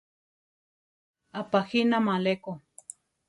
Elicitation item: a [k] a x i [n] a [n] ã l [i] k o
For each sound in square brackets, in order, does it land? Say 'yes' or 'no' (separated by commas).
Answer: no, yes, no, no